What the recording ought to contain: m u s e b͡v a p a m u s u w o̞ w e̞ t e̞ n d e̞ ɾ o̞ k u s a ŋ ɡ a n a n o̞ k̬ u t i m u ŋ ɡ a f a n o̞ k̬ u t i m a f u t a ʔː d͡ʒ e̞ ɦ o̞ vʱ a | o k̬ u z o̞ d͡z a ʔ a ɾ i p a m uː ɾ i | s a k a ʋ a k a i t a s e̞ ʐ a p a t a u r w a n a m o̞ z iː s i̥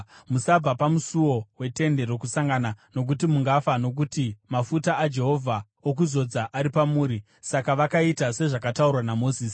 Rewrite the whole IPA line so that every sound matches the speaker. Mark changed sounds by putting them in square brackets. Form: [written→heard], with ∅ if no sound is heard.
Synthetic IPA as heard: m u s [e→a] b͡v a p a m u s u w o̞ w e̞ t e̞ n d e̞ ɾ o̞ k u s a ŋ ɡ a n a n o̞ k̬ u t i m u ŋ ɡ a f a n o̞ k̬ u t i m a f u t a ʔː d͡ʒ e̞ ɦ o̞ vʱ a | o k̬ u z o̞ d͡z a ʔ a ɾ i p a m uː ɾ i | s a k a ʋ a k a i t a s e̞ ʐ a [p→k] a t a u r w a n a m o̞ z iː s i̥

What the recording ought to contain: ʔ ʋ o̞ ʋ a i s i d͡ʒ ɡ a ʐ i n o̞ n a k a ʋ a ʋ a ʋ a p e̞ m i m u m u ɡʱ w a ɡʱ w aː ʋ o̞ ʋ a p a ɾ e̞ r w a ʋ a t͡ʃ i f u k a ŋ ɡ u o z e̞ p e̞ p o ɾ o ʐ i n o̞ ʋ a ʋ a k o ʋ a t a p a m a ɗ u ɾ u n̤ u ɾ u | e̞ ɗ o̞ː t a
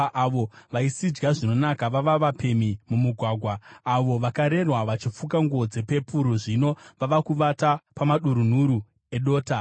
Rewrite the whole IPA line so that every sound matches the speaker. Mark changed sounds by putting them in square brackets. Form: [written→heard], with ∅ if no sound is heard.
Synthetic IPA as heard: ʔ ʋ o̞ ʋ a i s i d͡ʒ ɡ a ʐ i n o̞ n a k a ʋ a ʋ a ʋ a p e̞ m i m u m u ɡʱ w a ɡʱ w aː ʋ o̞ ʋ a [p→k] a ɾ e̞ r w a ʋ a t͡ʃ i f u k a ŋ ɡ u o [z→d͡z] e̞ p e̞ p [o→u] ɾ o ʐ i n o̞ ʋ a ʋ a k [o→u] ʋ a t a p a m a ɗ u ɾ u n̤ u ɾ u | e̞ ɗ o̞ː t a

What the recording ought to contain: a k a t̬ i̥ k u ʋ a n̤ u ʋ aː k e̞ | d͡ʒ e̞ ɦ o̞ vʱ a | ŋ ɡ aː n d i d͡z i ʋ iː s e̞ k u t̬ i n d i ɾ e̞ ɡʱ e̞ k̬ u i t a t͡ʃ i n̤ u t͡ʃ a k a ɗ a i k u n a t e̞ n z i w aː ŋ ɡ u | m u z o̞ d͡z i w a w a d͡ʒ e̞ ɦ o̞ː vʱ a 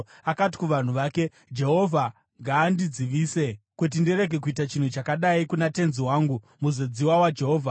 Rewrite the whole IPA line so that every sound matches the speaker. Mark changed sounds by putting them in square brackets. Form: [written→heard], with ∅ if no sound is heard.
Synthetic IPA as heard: a k a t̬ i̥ k u ʋ a n̤ u ʋ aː k e̞ | d͡ʒ e̞ ɦ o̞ vʱ a | ŋ ɡ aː n d i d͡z i ʋ iː s e̞ k u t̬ i n d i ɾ e̞ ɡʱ e̞ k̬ u i t a t͡ʃ i n̤ u t͡ʃ a k a ɗ a i k u n a t e̞ n z i w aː ŋ ɡ u | m u z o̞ d͡z i w a w a d͡ʒ e̞ ɦ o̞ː vʱ a

